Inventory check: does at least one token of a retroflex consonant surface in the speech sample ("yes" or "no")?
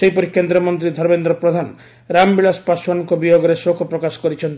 no